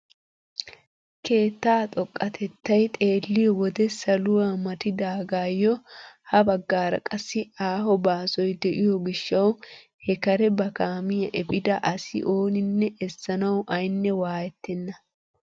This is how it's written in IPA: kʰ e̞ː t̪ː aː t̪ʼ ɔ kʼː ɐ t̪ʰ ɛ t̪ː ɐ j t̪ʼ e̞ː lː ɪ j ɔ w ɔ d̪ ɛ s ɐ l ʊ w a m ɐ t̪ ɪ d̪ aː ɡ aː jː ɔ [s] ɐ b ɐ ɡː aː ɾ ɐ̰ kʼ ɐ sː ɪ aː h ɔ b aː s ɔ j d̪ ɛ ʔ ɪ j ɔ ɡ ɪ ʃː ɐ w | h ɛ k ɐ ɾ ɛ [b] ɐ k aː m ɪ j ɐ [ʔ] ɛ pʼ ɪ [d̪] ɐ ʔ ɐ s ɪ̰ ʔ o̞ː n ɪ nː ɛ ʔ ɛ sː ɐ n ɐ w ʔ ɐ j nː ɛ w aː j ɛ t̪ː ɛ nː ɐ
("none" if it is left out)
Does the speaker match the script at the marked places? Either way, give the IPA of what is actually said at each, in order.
h, b, ʔ, d̪

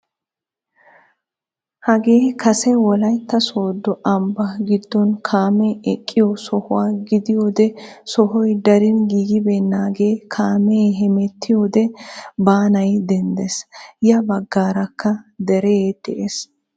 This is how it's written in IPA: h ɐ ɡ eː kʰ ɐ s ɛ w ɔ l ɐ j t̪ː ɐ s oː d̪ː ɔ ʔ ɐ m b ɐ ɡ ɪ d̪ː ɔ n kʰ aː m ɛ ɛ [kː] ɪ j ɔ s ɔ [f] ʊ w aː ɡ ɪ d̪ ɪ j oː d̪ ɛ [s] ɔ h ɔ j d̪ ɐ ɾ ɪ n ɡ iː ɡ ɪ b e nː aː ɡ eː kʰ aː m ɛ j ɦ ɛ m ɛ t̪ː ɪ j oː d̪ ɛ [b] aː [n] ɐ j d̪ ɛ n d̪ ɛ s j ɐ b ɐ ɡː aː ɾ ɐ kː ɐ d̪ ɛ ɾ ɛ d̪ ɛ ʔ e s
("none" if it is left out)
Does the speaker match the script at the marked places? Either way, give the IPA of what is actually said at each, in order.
kʼː, h, s, b, n

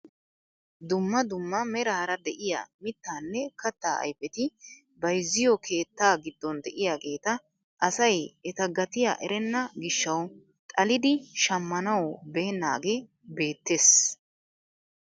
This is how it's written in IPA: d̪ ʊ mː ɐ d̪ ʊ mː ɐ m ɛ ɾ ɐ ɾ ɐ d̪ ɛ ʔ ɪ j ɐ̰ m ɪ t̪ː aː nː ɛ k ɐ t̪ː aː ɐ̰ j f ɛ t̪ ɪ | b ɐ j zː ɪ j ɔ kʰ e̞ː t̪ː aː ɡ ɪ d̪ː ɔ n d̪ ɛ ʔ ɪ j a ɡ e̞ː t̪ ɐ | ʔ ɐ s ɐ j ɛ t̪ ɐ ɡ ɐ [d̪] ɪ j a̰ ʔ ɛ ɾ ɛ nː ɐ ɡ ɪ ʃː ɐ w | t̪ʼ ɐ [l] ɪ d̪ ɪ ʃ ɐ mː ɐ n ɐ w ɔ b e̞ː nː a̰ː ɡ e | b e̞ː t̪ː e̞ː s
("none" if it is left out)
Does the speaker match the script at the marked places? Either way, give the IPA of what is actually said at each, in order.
t̪, l

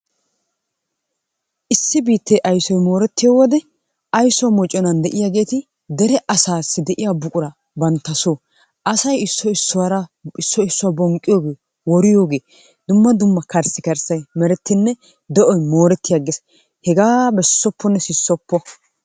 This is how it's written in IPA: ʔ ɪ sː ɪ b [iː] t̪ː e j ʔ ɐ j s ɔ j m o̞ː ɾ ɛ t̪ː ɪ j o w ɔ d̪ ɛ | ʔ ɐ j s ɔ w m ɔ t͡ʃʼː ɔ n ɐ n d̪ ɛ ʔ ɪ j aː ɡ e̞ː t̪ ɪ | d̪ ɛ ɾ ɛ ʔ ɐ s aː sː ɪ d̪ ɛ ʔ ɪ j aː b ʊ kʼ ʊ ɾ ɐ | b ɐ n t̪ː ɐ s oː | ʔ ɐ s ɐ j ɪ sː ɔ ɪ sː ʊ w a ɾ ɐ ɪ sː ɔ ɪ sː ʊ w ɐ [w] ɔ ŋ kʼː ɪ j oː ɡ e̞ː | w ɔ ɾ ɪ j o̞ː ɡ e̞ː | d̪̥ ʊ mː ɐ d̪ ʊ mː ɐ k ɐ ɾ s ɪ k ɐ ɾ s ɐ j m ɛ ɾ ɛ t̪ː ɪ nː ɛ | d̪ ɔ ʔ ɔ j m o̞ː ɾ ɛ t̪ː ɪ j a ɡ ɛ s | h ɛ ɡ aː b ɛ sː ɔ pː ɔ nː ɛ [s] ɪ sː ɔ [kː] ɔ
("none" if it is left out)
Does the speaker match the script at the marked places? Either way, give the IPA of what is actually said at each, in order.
iː, b, s, pː

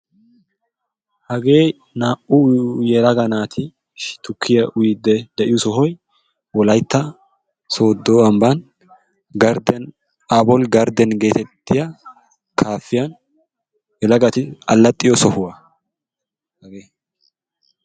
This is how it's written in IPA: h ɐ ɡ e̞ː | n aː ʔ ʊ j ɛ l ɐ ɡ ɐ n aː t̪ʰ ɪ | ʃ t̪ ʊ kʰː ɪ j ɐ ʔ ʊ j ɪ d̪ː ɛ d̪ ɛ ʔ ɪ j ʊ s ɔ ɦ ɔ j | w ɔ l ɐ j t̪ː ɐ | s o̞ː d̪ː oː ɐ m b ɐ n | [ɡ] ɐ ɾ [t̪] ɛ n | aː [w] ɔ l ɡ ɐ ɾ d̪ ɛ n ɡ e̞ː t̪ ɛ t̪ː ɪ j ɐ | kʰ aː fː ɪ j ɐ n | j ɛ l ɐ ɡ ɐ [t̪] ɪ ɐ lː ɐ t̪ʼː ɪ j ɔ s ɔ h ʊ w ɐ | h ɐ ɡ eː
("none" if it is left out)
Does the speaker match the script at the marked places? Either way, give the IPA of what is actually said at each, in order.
ɡ, d̪, b, t̪

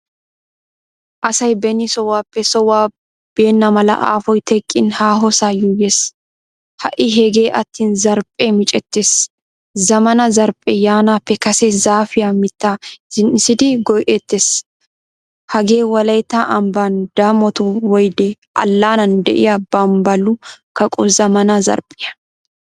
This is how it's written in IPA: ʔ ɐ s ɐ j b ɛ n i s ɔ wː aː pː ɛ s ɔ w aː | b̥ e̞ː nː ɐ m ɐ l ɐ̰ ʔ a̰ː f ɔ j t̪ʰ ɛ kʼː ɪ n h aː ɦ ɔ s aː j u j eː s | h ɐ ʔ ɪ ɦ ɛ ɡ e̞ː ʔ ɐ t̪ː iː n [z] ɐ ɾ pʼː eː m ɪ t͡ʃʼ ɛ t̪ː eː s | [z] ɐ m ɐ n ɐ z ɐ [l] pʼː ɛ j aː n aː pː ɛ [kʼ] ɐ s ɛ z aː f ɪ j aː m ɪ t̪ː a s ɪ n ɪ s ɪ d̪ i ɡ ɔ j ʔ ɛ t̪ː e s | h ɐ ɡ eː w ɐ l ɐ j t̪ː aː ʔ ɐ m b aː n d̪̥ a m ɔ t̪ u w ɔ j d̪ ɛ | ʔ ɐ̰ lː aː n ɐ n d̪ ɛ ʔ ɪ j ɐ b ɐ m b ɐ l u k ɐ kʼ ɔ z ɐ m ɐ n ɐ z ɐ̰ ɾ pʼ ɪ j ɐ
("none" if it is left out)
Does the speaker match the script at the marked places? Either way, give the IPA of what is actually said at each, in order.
z, z, ɾ, k

